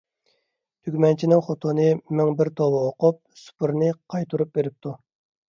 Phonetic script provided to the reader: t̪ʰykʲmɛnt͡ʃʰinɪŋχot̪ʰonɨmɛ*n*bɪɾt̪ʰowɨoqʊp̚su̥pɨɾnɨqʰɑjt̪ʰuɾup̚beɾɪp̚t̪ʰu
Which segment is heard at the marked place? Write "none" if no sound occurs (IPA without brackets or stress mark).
ŋ